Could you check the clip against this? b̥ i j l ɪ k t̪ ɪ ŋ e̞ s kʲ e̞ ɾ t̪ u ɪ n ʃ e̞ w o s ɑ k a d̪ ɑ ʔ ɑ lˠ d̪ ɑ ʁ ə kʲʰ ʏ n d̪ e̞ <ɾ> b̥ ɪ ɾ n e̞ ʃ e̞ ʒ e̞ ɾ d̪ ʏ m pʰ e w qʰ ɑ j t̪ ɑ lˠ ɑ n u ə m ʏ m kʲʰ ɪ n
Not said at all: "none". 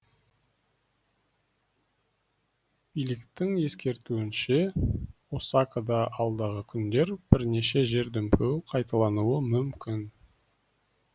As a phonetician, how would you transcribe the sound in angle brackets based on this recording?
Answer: ɾ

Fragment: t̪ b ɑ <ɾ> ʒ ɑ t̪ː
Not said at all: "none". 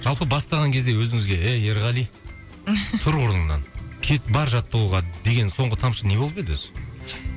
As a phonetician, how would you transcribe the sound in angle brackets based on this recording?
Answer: ɾ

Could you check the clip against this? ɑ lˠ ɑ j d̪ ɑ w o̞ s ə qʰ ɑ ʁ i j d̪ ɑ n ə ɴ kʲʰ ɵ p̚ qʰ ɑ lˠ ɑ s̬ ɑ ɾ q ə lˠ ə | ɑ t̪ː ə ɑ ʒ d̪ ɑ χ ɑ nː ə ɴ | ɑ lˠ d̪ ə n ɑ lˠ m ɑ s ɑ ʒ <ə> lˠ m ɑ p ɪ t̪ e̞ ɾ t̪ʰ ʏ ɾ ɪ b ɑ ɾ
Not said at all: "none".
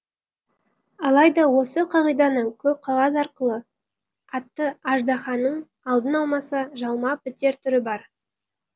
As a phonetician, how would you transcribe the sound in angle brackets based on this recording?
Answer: ɑ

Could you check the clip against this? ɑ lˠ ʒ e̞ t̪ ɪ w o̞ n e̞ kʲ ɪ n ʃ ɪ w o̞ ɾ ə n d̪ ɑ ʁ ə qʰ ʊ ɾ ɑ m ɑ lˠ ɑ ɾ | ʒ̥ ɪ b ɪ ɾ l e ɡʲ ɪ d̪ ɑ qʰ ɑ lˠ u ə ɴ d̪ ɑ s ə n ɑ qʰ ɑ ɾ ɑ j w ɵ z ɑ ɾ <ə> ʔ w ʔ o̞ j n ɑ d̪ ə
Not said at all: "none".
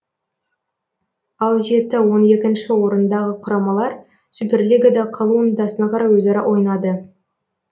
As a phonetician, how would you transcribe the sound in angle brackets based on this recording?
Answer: ɑ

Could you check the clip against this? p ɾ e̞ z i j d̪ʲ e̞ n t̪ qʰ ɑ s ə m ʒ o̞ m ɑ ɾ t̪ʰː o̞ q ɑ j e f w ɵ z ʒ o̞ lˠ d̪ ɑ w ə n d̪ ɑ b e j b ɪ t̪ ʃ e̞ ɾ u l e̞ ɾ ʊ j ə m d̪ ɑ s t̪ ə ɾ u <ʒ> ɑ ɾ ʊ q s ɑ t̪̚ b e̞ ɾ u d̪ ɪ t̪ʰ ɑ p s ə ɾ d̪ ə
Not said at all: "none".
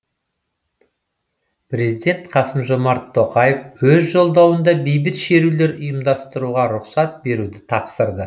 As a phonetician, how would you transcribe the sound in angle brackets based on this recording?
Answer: ʁ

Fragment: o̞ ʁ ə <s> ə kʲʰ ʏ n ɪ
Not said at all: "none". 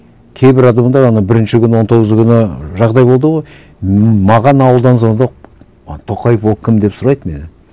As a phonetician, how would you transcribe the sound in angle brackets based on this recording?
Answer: z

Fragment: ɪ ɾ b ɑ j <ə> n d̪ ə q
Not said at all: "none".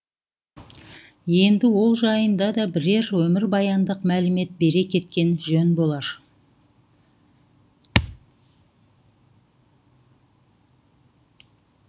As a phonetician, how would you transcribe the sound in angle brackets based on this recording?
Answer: ɑ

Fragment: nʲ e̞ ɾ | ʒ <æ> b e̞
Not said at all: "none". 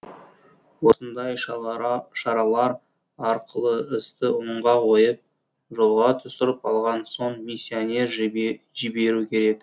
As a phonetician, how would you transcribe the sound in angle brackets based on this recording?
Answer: i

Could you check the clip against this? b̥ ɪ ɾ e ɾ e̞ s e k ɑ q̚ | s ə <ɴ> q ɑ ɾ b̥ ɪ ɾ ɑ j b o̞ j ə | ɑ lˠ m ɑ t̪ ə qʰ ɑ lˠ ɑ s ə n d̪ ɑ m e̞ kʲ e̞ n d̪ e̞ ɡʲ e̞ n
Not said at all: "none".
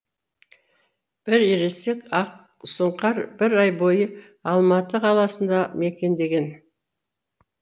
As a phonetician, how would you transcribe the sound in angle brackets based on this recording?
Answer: ɴ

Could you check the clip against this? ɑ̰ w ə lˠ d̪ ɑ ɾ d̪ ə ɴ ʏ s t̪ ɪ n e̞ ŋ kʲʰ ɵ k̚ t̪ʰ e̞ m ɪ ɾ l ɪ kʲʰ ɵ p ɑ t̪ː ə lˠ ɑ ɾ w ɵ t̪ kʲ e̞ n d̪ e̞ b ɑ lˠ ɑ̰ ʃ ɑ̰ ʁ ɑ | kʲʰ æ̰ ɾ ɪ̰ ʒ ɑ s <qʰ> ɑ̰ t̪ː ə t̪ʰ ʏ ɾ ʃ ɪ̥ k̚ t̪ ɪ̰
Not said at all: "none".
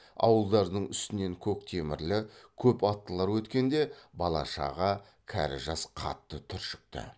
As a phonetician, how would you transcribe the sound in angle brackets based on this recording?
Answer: qʰ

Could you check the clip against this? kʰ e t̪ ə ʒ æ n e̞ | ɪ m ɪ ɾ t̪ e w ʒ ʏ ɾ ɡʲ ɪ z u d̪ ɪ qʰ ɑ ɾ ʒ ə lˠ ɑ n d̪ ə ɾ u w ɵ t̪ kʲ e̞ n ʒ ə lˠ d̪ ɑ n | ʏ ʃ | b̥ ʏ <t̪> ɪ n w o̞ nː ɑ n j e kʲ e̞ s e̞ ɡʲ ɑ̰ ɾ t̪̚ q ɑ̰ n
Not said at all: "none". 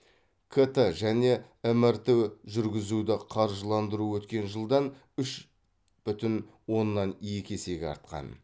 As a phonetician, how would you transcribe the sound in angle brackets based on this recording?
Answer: t̪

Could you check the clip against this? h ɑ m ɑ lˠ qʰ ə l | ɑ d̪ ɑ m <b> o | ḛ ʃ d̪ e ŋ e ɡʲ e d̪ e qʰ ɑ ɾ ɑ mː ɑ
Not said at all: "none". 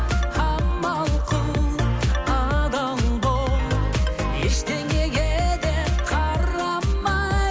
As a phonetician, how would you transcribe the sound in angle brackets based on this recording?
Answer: b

